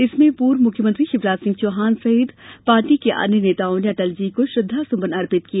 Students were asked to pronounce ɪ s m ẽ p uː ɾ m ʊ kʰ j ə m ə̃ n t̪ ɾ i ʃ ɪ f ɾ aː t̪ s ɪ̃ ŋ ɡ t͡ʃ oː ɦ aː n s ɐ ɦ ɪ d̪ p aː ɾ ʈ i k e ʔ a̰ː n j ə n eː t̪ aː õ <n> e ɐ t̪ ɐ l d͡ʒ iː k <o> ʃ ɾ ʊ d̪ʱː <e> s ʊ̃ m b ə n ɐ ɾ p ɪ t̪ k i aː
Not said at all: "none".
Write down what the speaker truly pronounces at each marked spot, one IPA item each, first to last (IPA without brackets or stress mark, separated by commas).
n, o, a